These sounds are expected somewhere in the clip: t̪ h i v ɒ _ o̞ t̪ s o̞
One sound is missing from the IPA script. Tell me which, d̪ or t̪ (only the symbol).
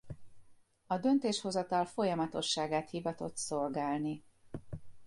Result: t̪